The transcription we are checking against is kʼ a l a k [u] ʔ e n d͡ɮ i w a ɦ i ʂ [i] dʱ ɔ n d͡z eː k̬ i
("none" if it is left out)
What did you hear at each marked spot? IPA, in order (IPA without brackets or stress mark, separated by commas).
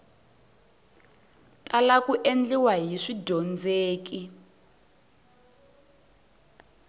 u, i